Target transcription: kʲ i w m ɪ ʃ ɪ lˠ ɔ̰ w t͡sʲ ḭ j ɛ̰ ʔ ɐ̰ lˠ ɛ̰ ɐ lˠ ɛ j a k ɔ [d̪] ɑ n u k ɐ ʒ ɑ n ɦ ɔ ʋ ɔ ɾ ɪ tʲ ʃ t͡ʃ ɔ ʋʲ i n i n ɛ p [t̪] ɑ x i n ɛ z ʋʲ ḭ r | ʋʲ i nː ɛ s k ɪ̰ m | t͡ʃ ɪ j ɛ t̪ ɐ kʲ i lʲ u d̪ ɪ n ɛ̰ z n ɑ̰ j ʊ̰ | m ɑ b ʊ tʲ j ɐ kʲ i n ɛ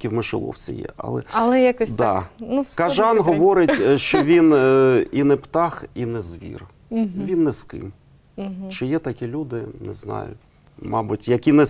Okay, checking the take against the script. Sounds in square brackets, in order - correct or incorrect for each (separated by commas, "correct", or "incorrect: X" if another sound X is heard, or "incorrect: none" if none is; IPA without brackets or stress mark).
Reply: correct, correct